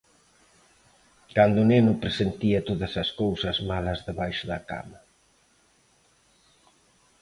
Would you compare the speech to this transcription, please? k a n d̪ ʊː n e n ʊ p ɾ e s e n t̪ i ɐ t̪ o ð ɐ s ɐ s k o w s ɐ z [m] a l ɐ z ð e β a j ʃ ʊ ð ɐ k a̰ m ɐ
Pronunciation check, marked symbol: correct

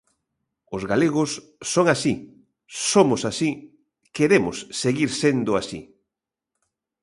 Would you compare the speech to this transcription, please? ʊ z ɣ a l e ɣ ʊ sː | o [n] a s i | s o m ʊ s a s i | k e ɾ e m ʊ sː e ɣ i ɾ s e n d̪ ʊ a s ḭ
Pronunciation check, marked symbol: incorrect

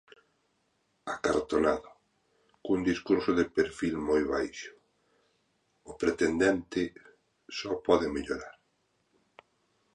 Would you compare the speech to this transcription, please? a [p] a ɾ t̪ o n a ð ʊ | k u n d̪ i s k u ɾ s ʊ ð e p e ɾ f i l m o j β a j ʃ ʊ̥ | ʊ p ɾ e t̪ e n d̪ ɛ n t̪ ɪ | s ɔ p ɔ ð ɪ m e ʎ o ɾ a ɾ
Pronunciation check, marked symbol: incorrect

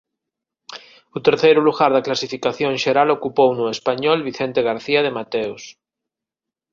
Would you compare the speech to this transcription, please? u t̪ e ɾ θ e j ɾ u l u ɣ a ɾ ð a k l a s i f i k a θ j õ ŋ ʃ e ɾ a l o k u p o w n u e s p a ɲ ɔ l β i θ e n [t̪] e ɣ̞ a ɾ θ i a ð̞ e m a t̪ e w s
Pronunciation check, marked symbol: correct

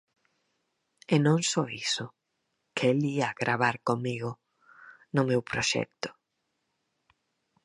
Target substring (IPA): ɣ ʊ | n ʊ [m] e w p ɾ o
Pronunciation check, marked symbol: correct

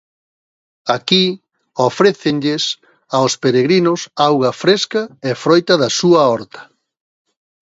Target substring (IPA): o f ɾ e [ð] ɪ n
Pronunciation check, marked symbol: incorrect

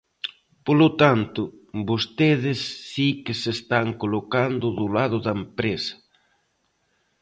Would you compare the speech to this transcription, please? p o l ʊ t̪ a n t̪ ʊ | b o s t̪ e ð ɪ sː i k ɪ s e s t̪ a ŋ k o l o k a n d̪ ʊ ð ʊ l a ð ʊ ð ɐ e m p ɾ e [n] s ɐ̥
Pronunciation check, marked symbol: incorrect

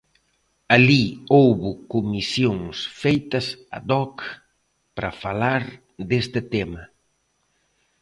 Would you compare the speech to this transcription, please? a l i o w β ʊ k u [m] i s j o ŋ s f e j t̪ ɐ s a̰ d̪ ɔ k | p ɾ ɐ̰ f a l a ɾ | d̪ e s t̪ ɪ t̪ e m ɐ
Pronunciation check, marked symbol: correct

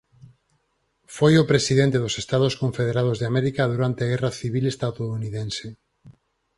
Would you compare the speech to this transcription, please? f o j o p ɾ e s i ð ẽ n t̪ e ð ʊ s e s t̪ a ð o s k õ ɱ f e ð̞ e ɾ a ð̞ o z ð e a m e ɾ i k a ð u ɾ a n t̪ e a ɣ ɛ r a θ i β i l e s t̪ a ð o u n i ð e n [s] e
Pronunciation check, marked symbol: correct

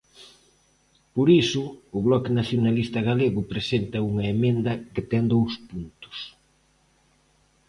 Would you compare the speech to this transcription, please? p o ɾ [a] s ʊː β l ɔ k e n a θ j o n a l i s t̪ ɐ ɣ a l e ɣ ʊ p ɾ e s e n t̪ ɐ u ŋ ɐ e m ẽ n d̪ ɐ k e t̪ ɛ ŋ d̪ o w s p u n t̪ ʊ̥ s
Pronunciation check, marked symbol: incorrect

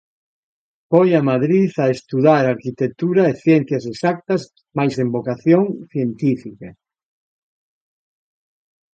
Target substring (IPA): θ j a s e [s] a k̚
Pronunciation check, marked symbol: correct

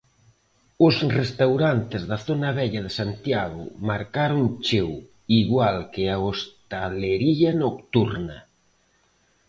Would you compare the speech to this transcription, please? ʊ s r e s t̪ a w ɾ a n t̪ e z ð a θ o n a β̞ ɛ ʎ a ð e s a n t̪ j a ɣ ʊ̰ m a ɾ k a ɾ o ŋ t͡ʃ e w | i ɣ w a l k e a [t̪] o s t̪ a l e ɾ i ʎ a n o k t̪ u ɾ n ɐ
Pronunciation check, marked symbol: incorrect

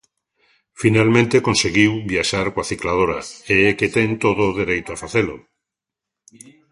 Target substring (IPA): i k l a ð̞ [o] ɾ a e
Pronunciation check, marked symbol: correct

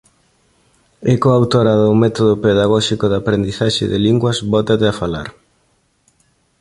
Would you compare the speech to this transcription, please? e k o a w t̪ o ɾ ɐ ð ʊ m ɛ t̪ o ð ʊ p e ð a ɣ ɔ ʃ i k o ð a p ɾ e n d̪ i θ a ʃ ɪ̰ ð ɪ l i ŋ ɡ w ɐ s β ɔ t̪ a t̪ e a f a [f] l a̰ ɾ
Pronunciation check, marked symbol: incorrect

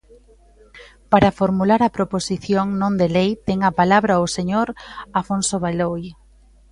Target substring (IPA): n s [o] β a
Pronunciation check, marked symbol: correct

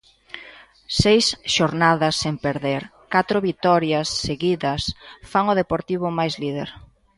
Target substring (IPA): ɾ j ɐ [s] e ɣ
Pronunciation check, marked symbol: incorrect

